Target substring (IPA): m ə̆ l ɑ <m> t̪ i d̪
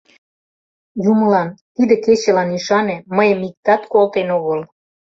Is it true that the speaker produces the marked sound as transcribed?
no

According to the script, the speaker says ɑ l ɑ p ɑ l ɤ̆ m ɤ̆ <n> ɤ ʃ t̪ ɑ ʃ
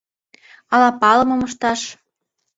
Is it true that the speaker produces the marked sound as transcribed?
no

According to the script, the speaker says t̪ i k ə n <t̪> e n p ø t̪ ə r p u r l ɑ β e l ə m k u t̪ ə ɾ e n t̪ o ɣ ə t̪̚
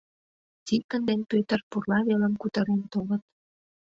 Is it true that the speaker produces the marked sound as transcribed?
no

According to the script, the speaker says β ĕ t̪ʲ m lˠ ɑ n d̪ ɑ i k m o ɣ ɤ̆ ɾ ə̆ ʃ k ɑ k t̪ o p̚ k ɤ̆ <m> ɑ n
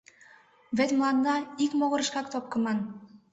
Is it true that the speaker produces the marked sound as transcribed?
yes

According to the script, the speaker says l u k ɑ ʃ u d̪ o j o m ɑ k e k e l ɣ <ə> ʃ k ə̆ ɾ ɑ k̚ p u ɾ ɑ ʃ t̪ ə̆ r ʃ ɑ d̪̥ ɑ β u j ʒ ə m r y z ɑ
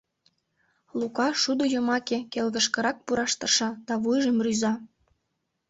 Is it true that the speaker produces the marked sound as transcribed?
yes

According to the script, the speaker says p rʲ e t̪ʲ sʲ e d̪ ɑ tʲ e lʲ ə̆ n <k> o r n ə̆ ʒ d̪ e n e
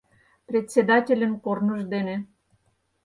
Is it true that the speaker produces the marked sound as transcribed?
yes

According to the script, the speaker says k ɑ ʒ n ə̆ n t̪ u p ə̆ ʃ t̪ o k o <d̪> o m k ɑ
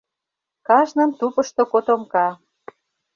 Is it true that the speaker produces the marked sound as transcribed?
no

